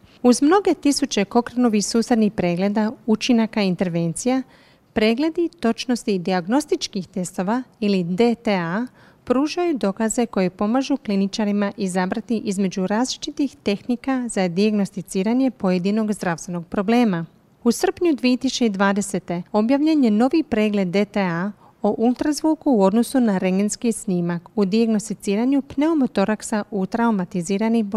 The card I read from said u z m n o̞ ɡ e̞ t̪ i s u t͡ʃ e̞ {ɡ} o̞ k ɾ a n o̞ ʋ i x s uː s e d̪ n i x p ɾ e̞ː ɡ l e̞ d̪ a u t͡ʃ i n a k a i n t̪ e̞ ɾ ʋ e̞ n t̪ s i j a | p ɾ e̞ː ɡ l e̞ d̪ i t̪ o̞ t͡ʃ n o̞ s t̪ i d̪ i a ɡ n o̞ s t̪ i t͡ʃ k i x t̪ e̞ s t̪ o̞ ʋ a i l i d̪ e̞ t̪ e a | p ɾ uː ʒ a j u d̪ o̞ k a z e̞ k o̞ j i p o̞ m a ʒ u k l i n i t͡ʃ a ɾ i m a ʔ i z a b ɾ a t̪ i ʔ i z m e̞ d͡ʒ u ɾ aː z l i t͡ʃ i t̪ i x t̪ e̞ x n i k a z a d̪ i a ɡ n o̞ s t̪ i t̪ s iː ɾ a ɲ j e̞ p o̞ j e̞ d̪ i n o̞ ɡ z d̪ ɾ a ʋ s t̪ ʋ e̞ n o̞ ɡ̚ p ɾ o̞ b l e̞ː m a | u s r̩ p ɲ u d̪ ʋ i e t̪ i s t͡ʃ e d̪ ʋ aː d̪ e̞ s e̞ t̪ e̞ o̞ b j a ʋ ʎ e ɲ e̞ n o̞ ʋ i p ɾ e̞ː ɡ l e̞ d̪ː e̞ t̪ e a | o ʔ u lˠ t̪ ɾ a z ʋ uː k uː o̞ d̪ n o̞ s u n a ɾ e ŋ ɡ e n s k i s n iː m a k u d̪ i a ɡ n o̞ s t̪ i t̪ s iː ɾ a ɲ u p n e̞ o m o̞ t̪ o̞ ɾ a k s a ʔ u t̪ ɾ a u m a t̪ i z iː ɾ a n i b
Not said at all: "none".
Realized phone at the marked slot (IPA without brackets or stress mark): k